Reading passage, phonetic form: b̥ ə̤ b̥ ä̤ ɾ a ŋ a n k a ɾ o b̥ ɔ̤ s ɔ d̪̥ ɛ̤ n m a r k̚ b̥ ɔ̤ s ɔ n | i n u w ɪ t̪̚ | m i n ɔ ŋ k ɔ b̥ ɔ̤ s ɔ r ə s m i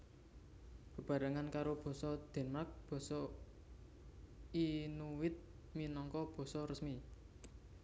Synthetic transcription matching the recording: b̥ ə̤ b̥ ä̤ ɾ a ŋ a n k a ɾ o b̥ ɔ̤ s ɔ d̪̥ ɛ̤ n m a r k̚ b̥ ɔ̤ s ɔ | i n u w ɪ t̪̚ | m i n ɔ ŋ k ɔ b̥ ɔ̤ s ɔ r ə s m i

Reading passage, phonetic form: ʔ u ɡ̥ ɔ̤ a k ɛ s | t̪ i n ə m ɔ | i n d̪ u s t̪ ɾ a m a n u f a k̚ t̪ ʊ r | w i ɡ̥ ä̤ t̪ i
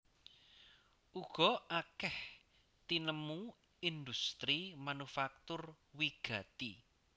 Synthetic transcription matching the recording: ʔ u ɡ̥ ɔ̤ a k ɛ h | t̪ i n ə m u | i n d̪ u s t̪ ɾ i m a n u f a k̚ t̪ ʊ r | w i ɡ̥ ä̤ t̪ i

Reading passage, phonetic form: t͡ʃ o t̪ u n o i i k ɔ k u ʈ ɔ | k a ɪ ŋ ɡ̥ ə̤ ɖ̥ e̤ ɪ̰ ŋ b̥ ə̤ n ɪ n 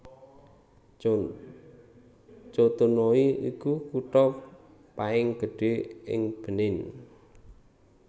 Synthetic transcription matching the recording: t͡ʃ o t̪ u n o i i k u k u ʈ ɔ | p a ɪ ŋ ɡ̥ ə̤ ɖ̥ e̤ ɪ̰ ŋ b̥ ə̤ n ɪ n

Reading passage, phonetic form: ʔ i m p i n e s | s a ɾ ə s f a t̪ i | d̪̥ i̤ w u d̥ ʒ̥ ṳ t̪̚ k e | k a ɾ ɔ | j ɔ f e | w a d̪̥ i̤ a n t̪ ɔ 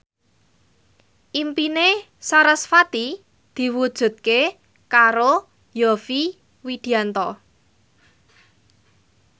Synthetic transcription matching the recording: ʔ i m p i n e | s a ɾ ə s f a t̪ i | d̪̥ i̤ w u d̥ ʒ̥ ṳ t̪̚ k e | k a ɾ o | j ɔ f i | w i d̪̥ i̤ a n t̪ ɔ

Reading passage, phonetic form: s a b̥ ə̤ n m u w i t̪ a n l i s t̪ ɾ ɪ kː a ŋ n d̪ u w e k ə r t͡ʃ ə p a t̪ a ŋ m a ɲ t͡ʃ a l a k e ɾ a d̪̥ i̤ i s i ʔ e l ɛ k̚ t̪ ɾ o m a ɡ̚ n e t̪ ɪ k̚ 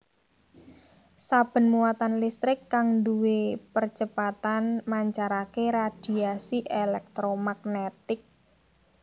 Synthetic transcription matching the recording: s a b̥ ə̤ n m u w a t̪ a n l i s t̪ ɾ ɪ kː a ŋ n d̪ u w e p ə r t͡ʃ ə p a t̪ a n m a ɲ t͡ʃ a ɾ a k e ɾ a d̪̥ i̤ a s i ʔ e l ɛ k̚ t̪ ɾ o m a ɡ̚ n e t̪ ɪ k̚

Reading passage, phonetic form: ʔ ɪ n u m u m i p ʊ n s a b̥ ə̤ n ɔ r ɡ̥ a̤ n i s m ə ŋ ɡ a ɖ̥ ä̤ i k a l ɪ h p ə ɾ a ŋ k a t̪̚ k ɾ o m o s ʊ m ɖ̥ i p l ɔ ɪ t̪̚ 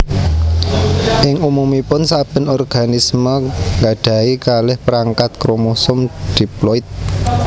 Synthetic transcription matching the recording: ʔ ɪ ŋ u m u m i p ʊ n s a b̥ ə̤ n ɔ r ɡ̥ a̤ n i s m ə ŋ ɡ a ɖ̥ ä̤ i k a l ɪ h p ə ɾ a ŋ k a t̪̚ k ɾ o m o s ʊ m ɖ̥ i p l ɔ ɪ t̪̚

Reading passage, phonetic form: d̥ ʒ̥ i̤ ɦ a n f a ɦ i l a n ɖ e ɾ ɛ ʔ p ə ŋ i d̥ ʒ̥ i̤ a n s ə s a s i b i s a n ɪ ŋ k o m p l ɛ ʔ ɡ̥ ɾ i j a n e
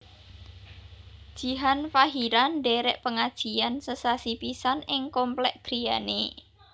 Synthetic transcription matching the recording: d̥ ʒ̥ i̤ ɦ a n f a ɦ i ɾ a n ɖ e ɾ ɛ ʔ p ə ŋ a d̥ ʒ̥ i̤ a n s ə s a s i p i s a n ɪ ŋ k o m p l ɛ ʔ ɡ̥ ɾ i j a n e

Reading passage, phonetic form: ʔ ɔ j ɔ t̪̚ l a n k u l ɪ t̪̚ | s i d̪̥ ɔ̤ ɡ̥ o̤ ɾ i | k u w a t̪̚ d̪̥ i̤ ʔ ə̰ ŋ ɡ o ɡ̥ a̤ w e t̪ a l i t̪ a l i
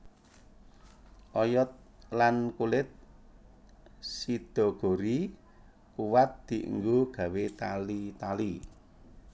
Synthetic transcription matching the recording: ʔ ɔ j ɔ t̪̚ l a n k u l ɪ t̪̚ | s i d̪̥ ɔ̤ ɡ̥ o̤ ɾ i | k u w a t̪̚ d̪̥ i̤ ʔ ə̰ ŋ ɡ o ɡ̥ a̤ w e t̪ a l i t̪ a l i

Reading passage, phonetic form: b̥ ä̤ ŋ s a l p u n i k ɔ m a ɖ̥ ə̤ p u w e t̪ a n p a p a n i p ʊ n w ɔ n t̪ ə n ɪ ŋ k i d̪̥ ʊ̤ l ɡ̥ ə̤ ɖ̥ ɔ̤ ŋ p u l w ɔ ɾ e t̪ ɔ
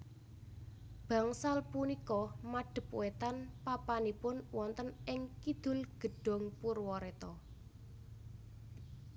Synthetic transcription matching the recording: b̥ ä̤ ŋ s a l p u n i k ɔ m a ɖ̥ ə̤ p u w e t̪ a n p a p a n i p ʊ n w ɔ n t̪ ə n ɪ ŋ k i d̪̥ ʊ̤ l ɡ̥ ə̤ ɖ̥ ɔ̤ ŋ p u r w ɔ ɾ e t̪ ɔ

